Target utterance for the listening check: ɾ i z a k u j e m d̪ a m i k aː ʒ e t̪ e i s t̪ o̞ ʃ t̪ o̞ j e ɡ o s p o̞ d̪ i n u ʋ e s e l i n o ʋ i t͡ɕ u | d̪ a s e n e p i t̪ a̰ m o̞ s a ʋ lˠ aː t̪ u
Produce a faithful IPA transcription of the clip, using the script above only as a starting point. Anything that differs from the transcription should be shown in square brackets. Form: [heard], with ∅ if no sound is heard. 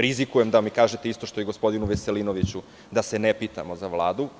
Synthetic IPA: ɾ i z [i] k u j e m d̪ a m i k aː ʒ e t̪ e i s t̪ o̞ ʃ t̪ o̞ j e ɡ o s p o̞ d̪ i n u ʋ e s e l i n o ʋ i t͡ɕ u | d̪ a s e n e p i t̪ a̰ m o̞ [z] a ʋ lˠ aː [d̪] u